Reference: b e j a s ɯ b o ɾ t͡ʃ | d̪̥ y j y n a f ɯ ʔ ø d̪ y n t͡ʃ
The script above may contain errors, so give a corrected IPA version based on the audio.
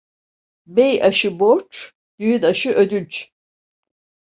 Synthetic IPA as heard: b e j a ʃ ɯ b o ɾ t͡ʃ | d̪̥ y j y n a ʃ ɯ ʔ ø d̪ y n t͡ʃ